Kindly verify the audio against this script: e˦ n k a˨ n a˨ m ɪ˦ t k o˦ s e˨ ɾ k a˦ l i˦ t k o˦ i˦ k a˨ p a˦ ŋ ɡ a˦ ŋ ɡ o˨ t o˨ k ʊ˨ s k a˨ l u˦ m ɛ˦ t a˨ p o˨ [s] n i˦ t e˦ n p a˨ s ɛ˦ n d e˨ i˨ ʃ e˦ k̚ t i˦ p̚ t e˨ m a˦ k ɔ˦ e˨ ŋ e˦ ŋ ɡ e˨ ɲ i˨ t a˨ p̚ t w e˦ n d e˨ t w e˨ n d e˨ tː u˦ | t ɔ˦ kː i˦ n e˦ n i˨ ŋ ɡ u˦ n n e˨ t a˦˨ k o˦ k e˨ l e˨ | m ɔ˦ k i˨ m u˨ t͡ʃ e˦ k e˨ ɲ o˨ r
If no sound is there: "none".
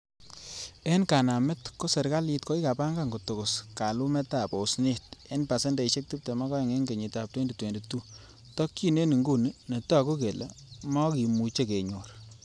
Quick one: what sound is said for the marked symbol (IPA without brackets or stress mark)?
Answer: s